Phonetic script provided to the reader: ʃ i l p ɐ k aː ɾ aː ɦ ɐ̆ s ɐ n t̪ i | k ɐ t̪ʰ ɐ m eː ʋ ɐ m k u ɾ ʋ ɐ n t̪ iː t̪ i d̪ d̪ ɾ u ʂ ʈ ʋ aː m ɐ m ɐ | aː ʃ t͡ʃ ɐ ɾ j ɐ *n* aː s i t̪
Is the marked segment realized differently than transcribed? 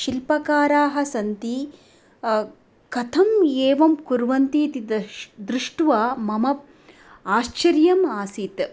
yes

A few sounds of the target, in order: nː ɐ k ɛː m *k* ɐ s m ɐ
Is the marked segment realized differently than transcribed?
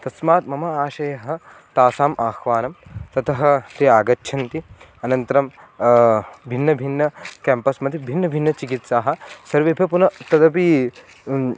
yes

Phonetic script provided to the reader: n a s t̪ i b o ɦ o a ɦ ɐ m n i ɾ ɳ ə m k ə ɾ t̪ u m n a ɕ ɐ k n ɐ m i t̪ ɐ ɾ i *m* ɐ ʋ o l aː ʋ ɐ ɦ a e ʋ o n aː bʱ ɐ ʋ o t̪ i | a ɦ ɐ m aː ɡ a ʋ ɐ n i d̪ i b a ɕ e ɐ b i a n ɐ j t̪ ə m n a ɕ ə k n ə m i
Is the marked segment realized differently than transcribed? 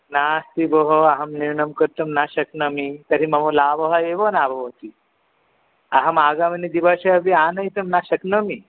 no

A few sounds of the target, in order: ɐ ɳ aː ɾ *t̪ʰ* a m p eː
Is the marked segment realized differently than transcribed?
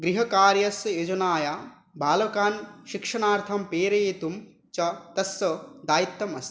no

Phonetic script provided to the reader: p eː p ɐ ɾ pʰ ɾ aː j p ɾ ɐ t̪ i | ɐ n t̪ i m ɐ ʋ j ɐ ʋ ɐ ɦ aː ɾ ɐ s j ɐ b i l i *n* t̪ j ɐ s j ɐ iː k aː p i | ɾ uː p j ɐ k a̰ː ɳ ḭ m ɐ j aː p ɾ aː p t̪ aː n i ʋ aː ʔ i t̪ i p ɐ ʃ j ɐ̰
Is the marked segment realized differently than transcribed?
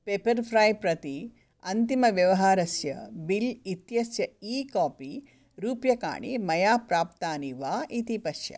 yes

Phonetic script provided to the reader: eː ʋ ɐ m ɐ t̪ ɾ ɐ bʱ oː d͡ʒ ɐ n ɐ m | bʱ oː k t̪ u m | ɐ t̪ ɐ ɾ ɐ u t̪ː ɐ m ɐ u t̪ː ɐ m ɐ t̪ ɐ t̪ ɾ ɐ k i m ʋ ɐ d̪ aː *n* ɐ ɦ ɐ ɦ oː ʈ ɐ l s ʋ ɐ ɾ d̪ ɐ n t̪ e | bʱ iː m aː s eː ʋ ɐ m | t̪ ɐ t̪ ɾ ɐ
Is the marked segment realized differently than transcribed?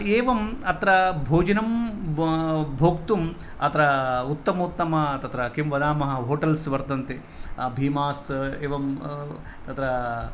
yes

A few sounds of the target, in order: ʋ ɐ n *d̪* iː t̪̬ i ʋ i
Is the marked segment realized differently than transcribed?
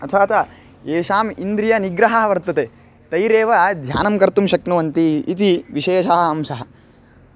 yes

